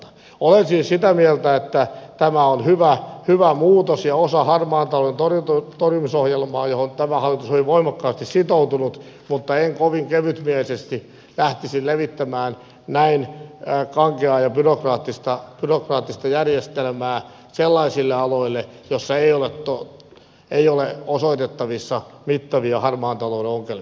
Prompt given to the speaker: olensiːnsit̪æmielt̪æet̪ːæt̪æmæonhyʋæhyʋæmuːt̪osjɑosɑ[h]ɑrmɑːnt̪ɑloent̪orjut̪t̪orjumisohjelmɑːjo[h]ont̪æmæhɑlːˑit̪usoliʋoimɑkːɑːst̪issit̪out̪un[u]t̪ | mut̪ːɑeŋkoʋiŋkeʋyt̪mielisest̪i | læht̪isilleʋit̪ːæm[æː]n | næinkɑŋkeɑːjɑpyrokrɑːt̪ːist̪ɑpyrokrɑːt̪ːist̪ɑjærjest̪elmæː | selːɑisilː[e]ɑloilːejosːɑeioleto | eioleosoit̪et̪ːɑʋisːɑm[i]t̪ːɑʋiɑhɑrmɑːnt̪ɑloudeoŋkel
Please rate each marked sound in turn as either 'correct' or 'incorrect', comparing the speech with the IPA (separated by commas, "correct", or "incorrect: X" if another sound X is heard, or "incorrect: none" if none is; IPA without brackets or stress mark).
correct, correct, correct, correct, correct, correct